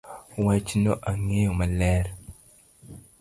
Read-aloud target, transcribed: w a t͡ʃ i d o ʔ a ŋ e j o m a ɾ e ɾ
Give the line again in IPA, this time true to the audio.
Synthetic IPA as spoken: w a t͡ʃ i n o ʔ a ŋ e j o m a l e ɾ